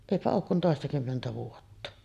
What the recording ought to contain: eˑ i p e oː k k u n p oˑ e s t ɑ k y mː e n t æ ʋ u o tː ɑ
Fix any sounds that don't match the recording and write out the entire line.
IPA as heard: eˑ i p æ oː k k u n t oˑ e s t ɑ k y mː e n t æ ʋ u o tː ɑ